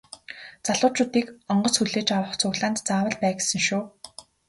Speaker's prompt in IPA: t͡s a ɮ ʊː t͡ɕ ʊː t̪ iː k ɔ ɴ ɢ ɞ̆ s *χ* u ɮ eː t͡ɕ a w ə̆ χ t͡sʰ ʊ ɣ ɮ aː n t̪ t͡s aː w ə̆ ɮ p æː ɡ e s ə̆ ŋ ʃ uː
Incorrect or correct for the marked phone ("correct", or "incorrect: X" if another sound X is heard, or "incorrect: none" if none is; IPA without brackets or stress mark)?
incorrect: x